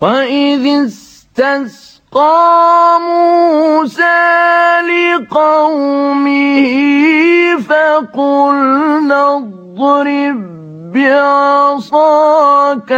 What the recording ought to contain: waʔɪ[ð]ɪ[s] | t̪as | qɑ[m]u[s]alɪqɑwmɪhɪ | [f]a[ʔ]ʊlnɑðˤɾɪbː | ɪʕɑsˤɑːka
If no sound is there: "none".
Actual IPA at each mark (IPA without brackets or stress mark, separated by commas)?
ð, s, m, s, f, q